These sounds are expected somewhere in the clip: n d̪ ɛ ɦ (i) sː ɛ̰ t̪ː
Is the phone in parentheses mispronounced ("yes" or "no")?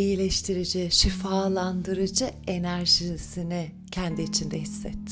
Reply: no